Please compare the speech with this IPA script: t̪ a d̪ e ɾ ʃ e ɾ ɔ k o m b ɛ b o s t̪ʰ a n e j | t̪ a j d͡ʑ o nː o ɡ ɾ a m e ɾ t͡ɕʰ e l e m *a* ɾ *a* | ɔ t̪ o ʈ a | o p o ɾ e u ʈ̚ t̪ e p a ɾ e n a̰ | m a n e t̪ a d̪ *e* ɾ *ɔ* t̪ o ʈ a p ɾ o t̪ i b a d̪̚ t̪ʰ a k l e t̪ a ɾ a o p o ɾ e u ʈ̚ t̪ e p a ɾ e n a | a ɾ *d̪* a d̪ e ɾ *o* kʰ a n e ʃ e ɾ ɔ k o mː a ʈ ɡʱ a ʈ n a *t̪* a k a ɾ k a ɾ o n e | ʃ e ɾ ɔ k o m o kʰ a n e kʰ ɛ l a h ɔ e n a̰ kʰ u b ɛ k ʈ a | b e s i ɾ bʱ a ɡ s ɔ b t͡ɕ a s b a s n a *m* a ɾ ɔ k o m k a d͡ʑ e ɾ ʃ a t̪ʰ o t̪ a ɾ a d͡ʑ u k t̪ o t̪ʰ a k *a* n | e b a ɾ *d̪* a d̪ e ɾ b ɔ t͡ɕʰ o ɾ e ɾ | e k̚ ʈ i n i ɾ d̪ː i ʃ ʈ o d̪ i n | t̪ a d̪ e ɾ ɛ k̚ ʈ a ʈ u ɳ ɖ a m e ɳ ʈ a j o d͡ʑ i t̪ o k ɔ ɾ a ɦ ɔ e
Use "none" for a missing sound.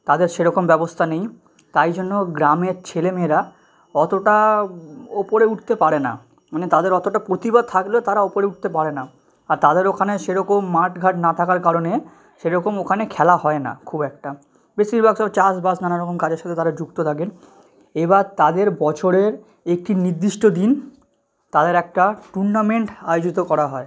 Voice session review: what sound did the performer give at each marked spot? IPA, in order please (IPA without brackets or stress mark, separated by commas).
e, a, e, ɔ, t̪, o, t̪ʰ, n, e, t̪